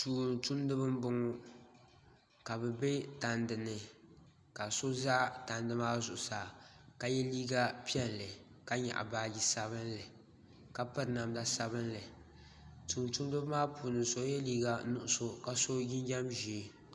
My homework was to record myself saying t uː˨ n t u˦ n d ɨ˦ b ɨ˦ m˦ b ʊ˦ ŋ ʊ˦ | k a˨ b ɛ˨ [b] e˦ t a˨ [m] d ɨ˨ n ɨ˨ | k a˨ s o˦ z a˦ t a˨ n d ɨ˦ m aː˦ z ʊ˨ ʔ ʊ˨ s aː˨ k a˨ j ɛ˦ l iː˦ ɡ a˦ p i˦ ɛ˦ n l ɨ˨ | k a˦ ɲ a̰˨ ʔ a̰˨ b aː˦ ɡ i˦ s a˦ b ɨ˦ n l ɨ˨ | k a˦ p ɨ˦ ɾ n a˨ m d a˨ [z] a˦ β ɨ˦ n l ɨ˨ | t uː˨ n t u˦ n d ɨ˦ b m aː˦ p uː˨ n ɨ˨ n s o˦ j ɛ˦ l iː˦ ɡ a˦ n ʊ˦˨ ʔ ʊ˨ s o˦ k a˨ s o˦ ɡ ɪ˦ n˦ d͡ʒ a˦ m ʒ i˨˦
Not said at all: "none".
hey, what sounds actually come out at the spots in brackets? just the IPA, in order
b, n, s

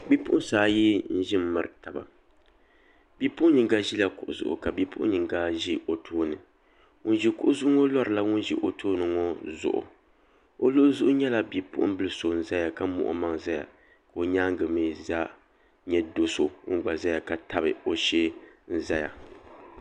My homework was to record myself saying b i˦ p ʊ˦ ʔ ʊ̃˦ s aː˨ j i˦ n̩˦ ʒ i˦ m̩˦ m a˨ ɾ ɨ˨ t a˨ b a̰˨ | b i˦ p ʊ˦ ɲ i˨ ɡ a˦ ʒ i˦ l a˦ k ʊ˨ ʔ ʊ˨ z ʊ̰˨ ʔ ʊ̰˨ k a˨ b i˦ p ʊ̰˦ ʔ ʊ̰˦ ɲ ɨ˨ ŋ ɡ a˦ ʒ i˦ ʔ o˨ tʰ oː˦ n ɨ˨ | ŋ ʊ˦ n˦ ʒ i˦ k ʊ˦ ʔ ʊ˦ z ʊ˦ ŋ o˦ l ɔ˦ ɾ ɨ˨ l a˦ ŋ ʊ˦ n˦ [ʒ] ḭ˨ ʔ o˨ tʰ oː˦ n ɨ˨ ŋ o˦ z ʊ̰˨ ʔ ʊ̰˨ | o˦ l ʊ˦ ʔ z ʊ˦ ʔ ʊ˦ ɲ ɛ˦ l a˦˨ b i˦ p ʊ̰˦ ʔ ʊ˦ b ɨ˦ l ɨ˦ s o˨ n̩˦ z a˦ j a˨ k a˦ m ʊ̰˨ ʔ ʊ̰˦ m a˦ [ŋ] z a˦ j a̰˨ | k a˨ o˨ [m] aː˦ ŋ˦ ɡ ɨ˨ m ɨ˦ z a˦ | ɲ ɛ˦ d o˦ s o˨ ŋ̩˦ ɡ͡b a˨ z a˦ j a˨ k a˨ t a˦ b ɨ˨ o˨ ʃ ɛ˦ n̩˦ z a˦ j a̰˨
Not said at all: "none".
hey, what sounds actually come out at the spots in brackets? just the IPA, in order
ʒ, ŋ, ɲ

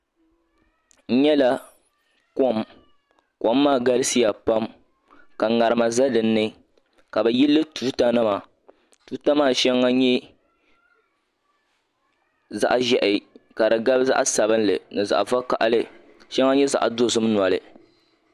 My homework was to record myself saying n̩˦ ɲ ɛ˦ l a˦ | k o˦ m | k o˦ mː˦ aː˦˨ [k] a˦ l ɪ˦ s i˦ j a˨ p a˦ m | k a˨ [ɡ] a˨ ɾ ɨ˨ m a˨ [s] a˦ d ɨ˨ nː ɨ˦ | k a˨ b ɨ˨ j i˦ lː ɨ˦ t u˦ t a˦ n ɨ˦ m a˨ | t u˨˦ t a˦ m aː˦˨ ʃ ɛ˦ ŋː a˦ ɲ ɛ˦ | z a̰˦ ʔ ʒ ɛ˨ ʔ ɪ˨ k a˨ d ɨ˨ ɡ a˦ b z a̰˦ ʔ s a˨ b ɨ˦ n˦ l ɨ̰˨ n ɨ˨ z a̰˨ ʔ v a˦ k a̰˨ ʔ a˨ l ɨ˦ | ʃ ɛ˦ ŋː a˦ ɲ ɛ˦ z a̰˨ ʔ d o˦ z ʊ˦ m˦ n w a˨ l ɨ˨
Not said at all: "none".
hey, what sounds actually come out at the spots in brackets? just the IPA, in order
ɡ, ŋ, z

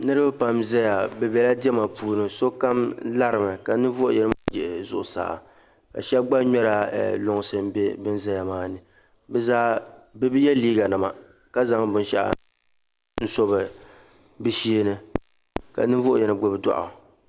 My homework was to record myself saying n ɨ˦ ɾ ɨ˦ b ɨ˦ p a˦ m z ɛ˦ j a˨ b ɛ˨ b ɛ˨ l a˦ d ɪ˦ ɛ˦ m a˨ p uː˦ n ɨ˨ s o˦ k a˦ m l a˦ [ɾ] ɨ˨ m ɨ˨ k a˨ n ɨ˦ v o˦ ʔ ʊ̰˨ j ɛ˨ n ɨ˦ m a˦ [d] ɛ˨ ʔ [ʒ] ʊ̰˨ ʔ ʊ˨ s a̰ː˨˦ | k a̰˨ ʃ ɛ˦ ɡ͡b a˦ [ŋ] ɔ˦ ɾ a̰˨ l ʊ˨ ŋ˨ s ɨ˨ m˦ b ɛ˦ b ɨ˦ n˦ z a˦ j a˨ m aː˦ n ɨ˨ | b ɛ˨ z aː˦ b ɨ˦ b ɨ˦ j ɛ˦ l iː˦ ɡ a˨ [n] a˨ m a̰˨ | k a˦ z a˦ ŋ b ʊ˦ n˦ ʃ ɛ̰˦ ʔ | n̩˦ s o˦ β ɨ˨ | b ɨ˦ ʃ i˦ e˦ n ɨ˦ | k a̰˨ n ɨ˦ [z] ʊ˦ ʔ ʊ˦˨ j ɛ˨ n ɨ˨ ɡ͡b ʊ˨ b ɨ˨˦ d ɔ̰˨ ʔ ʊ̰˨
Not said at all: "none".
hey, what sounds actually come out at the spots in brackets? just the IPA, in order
ɾ, d͡ʒ, z, ɲ, n, v

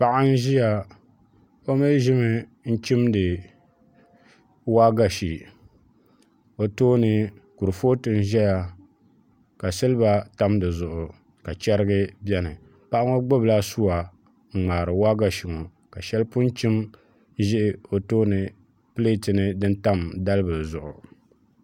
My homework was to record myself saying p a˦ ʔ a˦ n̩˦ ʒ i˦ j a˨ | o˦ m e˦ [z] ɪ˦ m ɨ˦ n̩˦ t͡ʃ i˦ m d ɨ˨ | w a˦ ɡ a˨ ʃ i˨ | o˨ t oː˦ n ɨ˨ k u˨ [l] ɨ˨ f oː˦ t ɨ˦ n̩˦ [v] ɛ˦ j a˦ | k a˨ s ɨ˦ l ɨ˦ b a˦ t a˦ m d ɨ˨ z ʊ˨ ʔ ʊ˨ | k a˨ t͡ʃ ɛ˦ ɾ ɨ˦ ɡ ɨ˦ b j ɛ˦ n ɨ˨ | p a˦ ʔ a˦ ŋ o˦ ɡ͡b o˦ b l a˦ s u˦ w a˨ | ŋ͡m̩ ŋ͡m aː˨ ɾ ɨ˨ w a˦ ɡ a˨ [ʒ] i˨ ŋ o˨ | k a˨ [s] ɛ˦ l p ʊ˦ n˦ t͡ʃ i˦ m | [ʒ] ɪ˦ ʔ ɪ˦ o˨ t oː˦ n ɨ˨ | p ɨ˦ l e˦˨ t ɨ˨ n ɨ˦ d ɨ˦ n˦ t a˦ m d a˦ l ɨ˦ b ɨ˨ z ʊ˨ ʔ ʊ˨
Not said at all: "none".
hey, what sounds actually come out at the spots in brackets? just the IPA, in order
ʒ, ɾ, ʒ, ʃ, ʃ, ʒ

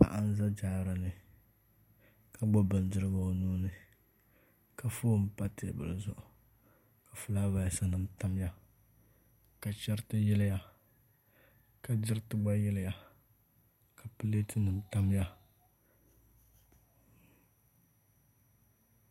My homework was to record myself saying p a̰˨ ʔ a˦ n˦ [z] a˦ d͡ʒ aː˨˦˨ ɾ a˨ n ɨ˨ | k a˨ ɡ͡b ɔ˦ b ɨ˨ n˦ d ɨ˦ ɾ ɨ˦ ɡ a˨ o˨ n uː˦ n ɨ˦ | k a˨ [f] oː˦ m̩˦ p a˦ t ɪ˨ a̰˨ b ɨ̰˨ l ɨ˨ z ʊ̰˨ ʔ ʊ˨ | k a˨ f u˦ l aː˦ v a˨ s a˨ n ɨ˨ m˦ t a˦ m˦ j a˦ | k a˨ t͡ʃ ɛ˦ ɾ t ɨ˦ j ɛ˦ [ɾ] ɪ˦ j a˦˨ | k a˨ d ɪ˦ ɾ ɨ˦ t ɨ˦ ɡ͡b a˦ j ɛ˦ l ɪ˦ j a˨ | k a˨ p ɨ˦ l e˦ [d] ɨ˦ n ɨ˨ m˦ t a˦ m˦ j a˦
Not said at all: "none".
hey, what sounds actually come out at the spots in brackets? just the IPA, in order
z, f, l, t

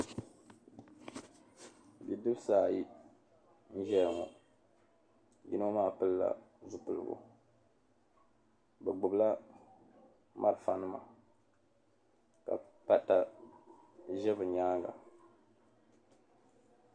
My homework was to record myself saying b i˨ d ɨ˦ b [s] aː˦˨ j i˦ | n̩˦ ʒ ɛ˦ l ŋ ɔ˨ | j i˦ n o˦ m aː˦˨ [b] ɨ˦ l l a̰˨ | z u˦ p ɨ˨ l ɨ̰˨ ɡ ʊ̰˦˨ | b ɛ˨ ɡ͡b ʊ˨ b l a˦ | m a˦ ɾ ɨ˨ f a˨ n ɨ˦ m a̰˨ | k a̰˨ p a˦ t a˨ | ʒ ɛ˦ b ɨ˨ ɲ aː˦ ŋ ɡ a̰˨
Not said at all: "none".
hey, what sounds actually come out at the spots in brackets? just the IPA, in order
s, p

